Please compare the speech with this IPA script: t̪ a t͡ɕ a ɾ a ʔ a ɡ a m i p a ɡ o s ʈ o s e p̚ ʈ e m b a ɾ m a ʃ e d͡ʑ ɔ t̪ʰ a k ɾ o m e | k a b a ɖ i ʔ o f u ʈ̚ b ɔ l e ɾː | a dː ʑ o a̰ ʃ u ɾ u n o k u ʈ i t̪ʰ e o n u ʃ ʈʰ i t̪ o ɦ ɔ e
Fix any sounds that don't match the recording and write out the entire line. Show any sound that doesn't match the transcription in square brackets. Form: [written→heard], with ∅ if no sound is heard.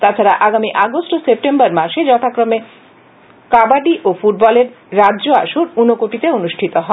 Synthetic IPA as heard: t̪ a [t͡ɕ→t͡ɕʰ] a ɾ a ʔ a ɡ a m i [p→ʔ] a ɡ o s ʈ o s e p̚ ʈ e m b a ɾ m a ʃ e d͡ʑ ɔ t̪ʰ a k ɾ o m e | k a b a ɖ i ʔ o f u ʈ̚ b ɔ l e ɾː | a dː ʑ o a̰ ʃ u ɾ u n o k [u→o] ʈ i [t̪ʰ→t̪] e o n u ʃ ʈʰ i t̪ o ɦ ɔ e